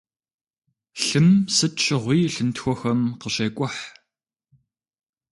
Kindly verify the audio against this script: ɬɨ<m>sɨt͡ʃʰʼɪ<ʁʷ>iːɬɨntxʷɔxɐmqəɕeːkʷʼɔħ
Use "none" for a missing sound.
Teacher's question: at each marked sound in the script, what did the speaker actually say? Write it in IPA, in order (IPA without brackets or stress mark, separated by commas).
m, ʁʷ